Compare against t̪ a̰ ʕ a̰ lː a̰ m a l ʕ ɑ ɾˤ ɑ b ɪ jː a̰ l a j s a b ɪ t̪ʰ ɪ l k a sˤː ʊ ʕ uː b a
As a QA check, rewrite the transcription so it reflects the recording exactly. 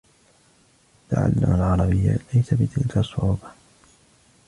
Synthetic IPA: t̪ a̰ ʕ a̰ lː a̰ m a l ʕ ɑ ɾˤ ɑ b ɪ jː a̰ l a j s a b ɪ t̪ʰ ɪ l k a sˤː ʊ ʕ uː b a